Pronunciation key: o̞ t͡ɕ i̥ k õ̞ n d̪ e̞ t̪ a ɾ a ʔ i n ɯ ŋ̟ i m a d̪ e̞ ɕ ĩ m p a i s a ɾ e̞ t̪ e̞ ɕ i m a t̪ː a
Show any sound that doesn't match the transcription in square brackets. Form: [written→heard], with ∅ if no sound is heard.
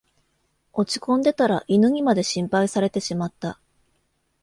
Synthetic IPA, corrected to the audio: o̞ t͡ɕ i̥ k õ̞ n d̪ e̞ t̪ a ɾ a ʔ i n ɯ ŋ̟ i m a d̪ e̞ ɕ ĩ m p a i s a ɾ e̞ t̪ e̞ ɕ i m a t̪ː a